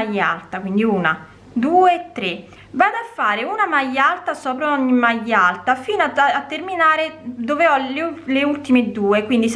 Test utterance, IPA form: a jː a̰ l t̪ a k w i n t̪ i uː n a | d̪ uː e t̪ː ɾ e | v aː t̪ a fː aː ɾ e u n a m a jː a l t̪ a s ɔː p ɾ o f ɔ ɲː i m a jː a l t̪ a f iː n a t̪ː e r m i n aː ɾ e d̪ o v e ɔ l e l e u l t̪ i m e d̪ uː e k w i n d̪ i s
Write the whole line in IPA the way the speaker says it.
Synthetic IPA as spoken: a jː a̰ l t̪ a k w i n d̪ i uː n a | d̪ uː e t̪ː ɾ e | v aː d̪ a fː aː ɾ e u n a m a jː a l t̪ a s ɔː p ɾ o ɔ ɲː i m a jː a l t̪ a f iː n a t̪ː e r m i n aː ɾ e d̪ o v e ɔ l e l e u l t̪ i m e d̪ uː e k w i n d̪ i s